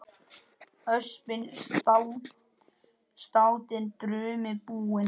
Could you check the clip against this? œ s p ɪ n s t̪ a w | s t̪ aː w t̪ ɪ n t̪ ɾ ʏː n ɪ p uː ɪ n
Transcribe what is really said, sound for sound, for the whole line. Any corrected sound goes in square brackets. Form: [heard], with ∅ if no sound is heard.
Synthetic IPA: œ s p ɪ n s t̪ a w | s t̪ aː w t̪ ɪ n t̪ ɾ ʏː [m] ɪ p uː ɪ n